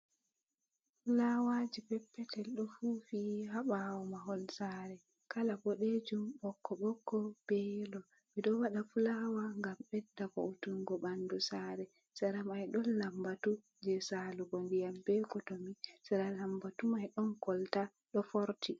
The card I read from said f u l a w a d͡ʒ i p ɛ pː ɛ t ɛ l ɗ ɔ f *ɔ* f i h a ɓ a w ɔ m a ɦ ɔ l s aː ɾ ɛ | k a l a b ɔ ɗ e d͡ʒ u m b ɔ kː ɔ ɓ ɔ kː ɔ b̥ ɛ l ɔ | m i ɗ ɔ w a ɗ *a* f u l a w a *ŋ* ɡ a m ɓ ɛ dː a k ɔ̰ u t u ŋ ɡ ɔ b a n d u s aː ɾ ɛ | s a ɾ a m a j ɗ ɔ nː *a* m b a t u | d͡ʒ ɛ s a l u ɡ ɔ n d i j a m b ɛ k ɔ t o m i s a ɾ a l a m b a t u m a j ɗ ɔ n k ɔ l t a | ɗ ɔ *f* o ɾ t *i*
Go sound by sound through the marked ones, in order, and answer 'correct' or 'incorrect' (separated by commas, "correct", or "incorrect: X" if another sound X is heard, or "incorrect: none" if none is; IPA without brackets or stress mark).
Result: incorrect: u, correct, correct, correct, correct, correct